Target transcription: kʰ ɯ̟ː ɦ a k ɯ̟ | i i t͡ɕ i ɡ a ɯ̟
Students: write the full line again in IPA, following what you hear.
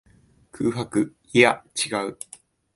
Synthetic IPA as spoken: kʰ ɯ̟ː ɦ a k ɯ̟ | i a t͡ɕ i ɡ a ɯ̟